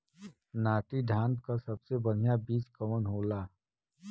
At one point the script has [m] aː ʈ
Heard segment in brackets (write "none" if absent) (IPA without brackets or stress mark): n